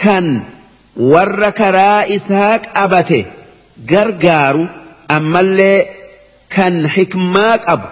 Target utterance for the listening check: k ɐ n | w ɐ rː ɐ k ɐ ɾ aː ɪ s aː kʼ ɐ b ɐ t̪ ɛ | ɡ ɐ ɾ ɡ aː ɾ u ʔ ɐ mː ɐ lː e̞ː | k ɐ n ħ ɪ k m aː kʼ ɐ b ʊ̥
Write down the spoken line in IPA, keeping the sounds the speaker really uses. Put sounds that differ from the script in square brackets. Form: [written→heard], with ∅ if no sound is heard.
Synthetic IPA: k ɐ n | w ɐ rː ɐ k ɐ ɾ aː ɪ s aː kʼ ɐ b ɐ t̪ ɛ | ɡ ɐ ɾ ɡ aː ɾ [u→ʊ] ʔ ɐ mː ɐ lː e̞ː | k ɐ n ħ ɪ k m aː kʼ ɐ b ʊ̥